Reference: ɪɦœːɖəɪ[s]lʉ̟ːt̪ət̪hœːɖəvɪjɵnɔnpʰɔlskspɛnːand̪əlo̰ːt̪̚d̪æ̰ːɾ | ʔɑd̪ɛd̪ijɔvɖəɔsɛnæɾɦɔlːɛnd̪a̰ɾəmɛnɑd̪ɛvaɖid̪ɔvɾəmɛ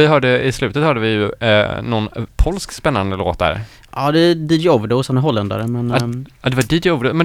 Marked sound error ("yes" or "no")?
no